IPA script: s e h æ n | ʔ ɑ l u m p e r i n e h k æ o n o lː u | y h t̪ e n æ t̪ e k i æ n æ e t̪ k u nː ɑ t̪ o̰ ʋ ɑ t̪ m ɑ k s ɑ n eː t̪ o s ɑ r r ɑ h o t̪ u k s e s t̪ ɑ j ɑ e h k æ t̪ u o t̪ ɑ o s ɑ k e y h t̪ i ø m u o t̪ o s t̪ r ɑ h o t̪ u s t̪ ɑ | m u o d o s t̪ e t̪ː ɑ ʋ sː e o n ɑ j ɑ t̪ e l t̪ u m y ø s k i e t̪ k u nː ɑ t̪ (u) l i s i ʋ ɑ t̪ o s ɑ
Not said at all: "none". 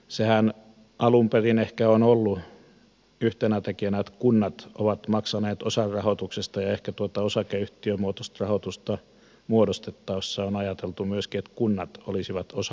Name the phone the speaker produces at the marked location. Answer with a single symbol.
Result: o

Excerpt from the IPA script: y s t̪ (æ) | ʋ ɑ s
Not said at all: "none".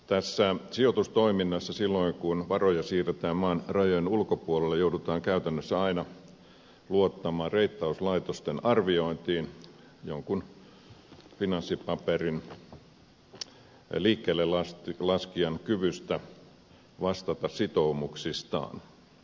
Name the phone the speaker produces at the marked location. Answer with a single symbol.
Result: æ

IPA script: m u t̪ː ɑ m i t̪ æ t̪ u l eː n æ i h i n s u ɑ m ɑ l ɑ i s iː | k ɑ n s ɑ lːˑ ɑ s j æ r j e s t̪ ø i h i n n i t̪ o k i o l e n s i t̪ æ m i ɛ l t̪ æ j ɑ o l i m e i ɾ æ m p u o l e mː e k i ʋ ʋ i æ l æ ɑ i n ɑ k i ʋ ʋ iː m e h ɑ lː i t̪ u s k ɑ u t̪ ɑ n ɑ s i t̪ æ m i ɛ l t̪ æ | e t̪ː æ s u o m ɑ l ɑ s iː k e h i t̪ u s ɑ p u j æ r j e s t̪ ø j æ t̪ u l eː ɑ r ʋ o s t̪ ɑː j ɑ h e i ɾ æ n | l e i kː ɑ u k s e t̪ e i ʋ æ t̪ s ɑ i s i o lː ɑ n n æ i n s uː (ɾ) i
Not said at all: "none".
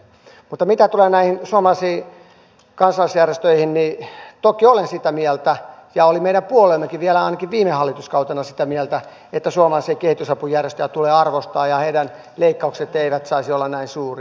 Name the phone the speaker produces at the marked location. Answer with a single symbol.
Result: r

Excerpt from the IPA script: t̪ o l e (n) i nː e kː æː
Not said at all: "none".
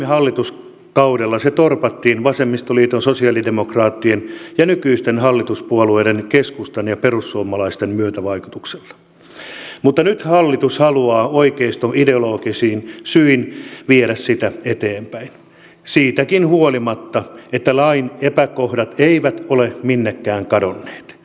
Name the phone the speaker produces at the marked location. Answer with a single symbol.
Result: m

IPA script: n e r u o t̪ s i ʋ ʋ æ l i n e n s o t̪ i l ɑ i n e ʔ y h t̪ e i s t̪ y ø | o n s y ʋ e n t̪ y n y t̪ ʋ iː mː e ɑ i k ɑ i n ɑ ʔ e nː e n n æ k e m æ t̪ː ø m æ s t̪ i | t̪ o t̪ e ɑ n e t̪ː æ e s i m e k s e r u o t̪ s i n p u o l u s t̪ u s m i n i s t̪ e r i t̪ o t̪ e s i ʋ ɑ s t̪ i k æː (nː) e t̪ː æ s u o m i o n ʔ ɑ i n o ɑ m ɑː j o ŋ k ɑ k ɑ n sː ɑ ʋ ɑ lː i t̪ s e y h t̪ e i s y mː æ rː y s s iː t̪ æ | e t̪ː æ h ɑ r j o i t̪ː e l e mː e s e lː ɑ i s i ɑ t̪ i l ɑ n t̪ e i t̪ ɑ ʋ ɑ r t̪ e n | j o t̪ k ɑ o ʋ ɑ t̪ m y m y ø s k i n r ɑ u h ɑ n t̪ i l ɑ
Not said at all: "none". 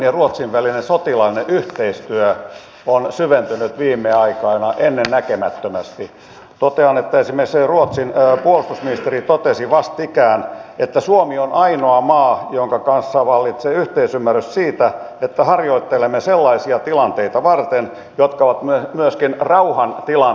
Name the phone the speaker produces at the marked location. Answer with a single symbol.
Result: n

